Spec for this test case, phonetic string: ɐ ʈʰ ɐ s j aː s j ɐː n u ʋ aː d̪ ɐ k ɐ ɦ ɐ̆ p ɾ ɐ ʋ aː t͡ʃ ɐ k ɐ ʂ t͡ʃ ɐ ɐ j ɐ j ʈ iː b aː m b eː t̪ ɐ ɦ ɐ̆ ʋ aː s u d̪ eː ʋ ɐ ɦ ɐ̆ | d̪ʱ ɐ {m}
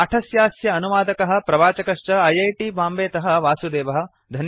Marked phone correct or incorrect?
incorrect